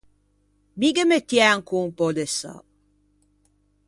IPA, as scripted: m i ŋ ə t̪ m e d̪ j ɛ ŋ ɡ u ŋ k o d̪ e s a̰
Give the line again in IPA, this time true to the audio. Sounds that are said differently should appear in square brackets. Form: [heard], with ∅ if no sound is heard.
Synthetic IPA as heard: m i [ɡ] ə [∅] m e [t̪] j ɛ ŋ [k] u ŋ [p] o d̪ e s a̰

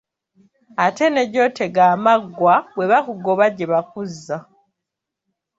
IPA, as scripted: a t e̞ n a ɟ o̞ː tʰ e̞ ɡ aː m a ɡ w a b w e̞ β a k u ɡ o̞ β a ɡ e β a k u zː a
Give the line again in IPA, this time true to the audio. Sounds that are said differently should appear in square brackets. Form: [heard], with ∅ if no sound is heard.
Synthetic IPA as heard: a t e̞ n [e] ɟ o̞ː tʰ e̞ ɡ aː m a ɡ w a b w e̞ β a k u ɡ o̞ β a [ɟ] e β a k u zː a

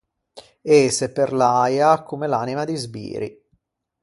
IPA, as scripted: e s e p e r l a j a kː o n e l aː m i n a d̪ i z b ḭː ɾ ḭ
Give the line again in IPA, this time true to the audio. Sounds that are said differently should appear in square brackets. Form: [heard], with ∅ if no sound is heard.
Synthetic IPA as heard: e s e p e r l a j a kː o [m] e l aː [n] i [m] a d̪ i z b ḭː ɾ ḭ

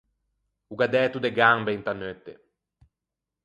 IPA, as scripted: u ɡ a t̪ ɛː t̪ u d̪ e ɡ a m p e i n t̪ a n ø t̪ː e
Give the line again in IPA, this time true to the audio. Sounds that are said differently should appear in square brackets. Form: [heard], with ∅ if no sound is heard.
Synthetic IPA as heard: u ɡ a [d̪] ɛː t̪ u d̪ e ɡ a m [b] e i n t̪ a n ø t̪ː e

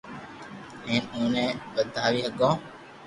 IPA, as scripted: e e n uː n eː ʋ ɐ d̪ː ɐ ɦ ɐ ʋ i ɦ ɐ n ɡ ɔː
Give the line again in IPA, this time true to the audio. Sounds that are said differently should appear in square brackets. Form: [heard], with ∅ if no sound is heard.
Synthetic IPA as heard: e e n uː n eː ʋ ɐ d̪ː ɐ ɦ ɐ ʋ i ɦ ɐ [∅] ɡ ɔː

